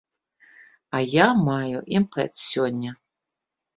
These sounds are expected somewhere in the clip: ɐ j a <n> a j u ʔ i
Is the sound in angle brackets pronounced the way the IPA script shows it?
no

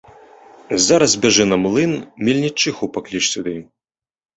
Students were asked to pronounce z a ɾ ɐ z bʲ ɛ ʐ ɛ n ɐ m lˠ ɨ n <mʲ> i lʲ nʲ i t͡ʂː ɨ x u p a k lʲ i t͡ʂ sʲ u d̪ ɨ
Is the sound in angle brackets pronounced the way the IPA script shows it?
yes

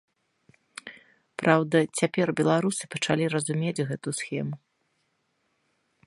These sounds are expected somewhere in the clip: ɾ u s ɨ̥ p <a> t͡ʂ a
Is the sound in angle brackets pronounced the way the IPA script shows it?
no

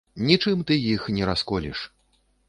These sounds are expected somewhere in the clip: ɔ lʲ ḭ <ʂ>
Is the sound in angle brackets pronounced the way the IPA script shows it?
yes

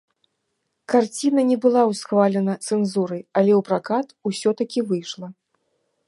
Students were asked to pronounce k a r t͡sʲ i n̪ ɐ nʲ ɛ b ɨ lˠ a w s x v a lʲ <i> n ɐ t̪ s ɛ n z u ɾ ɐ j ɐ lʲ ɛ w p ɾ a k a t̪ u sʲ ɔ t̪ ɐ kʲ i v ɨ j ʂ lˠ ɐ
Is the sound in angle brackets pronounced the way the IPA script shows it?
no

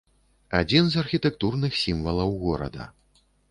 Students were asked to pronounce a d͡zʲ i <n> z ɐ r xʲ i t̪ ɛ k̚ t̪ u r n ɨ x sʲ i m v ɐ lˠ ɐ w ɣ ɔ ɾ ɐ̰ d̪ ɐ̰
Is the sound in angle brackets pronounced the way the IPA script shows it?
yes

